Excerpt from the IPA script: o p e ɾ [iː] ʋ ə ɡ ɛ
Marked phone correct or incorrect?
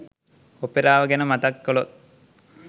incorrect